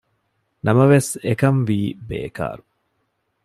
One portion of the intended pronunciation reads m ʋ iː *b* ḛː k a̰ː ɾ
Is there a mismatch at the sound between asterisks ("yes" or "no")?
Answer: no